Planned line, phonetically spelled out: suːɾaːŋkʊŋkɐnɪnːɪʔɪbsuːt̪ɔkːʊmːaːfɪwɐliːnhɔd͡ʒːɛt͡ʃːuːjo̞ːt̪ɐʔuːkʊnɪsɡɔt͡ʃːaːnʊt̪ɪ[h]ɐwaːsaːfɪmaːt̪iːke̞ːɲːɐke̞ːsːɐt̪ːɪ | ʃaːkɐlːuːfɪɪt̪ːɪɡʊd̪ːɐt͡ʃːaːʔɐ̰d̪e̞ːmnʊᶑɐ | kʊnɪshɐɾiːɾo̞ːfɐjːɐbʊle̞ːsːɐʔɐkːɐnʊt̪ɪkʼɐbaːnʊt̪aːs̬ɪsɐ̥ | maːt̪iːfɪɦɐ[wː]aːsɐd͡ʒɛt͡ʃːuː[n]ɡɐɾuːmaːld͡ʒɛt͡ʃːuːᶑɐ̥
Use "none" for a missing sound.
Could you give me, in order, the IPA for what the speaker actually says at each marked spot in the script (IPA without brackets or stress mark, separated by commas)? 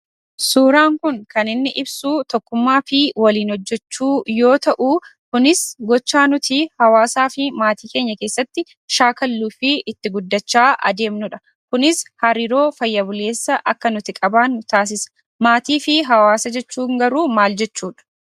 h, w, ŋ